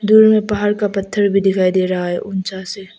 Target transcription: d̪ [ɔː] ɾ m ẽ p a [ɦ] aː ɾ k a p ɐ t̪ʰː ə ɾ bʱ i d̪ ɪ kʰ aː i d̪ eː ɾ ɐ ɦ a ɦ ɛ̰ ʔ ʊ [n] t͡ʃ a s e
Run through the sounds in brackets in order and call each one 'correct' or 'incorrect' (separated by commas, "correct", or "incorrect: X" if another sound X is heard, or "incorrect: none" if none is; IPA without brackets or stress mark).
incorrect: uː, correct, correct